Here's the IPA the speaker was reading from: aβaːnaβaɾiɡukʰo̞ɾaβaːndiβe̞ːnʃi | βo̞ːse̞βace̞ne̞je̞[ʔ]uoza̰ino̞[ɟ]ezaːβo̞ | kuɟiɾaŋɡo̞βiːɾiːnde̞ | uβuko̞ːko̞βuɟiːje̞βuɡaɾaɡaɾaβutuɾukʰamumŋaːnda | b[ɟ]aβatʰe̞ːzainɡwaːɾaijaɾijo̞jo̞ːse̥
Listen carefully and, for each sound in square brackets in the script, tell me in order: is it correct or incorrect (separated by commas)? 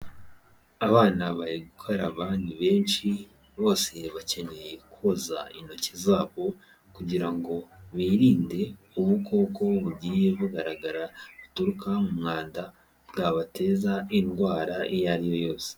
incorrect, incorrect, incorrect